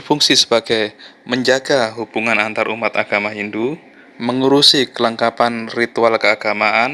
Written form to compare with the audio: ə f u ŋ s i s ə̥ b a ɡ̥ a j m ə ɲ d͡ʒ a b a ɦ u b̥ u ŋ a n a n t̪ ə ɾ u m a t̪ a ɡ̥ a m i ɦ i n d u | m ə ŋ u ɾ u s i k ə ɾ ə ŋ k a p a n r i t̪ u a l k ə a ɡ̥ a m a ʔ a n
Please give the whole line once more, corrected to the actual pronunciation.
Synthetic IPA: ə f u ŋ s i s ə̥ b a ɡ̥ a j m ə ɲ d͡ʒ a ɡ a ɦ u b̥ u ŋ a n a n t̪ a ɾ u m a t̪ a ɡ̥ a m a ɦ i n d u | m ə ŋ u ɾ u s i k ə l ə ŋ k a p a n r i t̪ u a l k ə a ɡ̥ a m a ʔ a n